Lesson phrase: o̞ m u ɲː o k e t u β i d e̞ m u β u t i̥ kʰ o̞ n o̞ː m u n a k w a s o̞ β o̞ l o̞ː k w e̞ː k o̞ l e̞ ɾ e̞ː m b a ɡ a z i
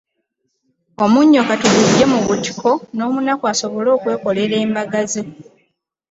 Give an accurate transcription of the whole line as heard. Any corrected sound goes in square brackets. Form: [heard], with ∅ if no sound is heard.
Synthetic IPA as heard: o̞ m u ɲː o k [a] t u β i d e̞ m u β u t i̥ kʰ o̞ n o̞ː m u n a k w a s o̞ β o̞ l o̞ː k w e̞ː k o̞ l e̞ ɾ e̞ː m b a ɡ a z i